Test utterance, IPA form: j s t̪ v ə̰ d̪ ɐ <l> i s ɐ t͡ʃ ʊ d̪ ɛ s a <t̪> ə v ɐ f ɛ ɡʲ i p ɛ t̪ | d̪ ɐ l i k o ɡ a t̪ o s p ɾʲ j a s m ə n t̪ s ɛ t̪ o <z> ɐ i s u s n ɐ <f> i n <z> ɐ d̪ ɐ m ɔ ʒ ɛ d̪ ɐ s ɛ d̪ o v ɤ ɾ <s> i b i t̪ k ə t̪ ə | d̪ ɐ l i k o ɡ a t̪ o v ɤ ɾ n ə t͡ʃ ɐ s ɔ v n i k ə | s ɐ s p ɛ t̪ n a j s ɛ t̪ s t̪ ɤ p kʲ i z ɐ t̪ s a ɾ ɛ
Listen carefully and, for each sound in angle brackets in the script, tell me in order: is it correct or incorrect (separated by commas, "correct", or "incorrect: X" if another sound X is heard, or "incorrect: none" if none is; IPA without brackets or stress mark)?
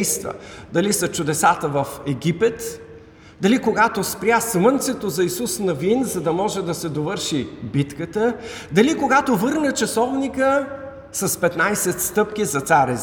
correct, correct, correct, incorrect: v, correct, incorrect: ʃ